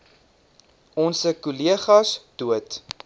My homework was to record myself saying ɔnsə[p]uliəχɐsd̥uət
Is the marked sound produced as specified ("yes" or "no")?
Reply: no